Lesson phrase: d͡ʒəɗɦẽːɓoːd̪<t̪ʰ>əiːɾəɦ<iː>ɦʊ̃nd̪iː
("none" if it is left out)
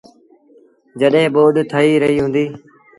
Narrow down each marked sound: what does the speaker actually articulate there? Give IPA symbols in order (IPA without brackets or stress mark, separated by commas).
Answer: t̪ʰ, iː